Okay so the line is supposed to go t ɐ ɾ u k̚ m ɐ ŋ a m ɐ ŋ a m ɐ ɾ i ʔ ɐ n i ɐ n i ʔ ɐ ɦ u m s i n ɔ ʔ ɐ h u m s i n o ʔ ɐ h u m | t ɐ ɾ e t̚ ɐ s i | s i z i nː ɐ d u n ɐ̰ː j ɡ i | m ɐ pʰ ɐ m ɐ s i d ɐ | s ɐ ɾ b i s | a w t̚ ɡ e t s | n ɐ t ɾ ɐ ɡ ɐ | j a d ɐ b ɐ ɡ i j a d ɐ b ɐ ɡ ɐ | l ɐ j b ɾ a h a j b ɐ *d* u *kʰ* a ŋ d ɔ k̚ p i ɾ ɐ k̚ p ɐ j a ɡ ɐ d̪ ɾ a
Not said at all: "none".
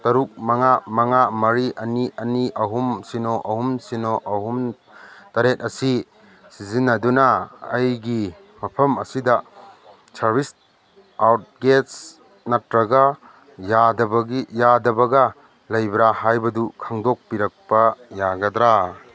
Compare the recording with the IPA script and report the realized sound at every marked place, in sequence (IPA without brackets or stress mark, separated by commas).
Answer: d, kʰ